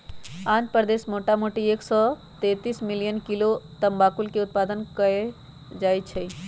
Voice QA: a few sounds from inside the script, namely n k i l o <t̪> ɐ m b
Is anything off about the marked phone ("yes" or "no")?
no